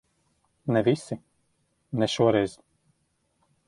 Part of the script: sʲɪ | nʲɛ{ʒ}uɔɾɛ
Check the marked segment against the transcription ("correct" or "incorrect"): incorrect